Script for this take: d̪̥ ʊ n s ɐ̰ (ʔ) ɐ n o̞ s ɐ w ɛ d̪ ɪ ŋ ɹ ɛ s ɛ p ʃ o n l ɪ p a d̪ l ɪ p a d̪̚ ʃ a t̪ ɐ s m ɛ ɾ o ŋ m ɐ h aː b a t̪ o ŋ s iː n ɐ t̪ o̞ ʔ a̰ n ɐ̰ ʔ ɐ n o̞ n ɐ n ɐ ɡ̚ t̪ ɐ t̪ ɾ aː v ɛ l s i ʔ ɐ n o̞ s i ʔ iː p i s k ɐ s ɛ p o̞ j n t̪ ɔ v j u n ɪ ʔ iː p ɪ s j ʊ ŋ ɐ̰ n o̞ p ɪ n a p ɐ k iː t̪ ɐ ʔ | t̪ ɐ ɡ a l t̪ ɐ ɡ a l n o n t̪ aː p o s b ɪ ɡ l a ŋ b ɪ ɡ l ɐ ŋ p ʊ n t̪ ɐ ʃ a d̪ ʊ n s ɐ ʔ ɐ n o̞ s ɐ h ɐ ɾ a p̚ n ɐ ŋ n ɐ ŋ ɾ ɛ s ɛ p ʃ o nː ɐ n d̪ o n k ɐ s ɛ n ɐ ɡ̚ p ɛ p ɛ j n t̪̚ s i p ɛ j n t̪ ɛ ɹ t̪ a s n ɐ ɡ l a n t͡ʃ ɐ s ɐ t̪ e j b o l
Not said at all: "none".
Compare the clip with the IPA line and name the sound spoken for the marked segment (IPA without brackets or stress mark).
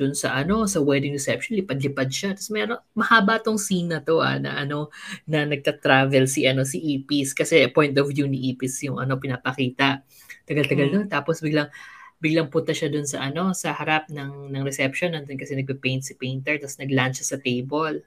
ʔ